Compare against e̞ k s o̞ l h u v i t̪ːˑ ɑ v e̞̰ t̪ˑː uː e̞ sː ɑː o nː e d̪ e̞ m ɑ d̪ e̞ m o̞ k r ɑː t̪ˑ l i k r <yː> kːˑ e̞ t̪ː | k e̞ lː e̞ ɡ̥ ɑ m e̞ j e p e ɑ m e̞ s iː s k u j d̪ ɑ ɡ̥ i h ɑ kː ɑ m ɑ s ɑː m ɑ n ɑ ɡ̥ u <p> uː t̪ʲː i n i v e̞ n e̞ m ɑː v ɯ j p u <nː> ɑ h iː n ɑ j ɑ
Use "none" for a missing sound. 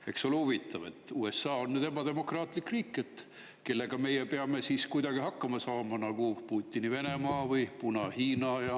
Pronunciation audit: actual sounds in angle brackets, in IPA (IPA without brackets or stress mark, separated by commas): iː, p, n